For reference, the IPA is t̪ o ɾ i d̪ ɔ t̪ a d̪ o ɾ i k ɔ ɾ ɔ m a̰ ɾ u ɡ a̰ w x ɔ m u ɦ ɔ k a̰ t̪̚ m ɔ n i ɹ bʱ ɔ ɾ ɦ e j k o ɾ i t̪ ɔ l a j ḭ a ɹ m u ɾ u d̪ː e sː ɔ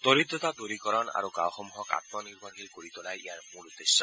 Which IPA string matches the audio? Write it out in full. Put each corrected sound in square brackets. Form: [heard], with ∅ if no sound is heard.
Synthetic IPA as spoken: t̪ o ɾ i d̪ ɔ t̪ a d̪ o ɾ i k ɔ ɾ ɔ [n] a̰ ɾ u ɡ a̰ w x ɔ m u ɦ ɔ k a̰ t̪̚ m ɔ n i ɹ bʱ ɔ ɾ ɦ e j k o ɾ i t̪ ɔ l a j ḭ a ɹ m u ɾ u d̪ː e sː ɔ